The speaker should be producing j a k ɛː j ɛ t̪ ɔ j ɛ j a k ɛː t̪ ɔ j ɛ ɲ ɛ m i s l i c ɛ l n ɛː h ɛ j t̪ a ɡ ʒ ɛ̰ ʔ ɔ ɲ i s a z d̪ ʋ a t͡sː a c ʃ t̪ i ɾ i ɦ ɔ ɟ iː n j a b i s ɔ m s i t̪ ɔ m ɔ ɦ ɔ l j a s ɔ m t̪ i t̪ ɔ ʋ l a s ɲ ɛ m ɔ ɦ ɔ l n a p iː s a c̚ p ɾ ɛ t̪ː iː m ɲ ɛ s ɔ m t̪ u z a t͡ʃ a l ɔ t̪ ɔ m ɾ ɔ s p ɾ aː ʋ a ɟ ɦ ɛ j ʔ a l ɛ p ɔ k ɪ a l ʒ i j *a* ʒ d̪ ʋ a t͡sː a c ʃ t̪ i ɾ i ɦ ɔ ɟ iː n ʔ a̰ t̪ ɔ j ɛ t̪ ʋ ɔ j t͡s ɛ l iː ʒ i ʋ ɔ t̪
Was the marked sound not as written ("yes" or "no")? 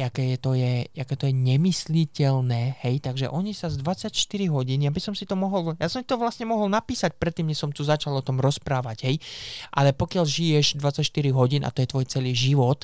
yes